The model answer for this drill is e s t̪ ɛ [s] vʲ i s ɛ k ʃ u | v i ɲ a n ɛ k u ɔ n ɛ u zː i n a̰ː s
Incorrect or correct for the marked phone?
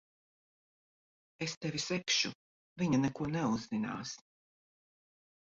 incorrect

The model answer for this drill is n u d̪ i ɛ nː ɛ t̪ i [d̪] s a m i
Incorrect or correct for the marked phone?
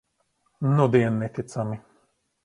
incorrect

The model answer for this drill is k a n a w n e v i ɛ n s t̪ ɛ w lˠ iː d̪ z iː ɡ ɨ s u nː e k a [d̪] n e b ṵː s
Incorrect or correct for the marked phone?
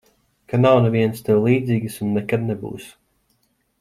correct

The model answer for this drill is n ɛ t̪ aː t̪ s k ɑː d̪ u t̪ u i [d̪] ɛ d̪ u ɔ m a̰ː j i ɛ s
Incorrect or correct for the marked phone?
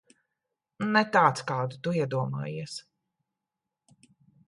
incorrect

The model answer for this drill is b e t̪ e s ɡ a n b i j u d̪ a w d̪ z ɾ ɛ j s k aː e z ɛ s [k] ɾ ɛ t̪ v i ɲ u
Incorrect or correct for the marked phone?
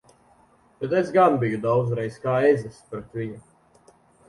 incorrect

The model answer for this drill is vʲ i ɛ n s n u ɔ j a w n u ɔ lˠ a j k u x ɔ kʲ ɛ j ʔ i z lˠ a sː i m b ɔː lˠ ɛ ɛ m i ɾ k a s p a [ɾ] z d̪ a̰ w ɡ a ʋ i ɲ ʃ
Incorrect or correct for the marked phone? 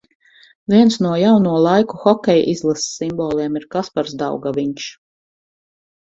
correct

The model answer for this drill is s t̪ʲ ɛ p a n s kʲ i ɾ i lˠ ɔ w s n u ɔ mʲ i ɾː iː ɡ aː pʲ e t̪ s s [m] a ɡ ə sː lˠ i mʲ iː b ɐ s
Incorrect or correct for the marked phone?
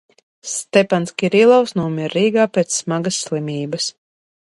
correct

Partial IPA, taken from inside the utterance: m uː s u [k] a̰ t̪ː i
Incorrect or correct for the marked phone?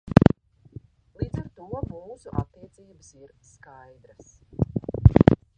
incorrect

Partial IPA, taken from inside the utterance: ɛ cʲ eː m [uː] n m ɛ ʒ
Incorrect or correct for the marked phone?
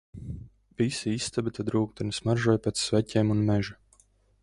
incorrect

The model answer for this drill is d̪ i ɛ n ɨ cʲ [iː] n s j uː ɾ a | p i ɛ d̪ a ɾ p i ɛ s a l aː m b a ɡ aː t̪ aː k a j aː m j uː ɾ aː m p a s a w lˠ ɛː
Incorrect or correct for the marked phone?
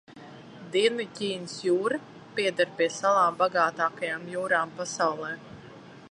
correct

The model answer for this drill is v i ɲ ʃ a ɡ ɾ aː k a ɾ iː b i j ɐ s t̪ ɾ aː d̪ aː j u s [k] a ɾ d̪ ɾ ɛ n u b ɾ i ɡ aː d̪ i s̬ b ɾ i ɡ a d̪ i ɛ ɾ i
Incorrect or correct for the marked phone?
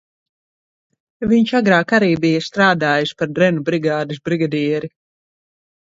incorrect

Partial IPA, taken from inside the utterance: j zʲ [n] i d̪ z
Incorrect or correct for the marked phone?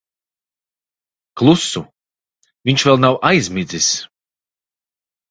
incorrect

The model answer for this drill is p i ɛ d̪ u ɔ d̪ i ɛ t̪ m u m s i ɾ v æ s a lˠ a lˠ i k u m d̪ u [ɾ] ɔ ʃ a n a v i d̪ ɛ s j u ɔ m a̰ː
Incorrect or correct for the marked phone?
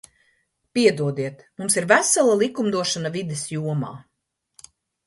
incorrect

